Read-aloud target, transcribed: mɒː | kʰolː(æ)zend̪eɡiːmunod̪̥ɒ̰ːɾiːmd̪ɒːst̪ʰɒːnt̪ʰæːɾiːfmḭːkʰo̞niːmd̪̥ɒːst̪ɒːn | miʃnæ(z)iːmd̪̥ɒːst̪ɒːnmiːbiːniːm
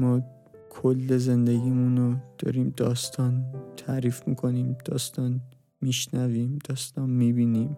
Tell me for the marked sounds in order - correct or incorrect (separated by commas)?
incorrect, incorrect